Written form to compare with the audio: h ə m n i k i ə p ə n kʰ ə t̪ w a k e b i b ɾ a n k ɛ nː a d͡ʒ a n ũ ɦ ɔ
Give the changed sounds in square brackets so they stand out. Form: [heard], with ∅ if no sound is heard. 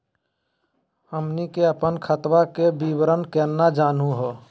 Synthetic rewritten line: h ə m n i k [e] ə p ə n kʰ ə t̪ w a k e b i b ɾ [ə] n k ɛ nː a d͡ʒ a n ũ ɦ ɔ